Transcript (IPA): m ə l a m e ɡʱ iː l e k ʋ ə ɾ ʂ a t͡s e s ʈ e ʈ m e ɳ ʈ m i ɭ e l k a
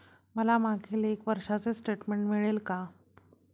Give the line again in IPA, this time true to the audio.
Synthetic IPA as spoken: m ə l a m a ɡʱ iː l e k ʋ ə ɾ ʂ a t͡s e s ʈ e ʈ m e ɳ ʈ m i ɭ e l k a